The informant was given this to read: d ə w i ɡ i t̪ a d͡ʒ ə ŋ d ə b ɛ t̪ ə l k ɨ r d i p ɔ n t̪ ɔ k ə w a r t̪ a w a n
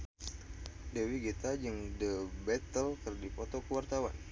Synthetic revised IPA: d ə w i ɡ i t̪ a d͡ʒ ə ŋ d ə b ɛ t̪ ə l k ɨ r d i p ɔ t̪ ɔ k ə w a r t̪ a w a n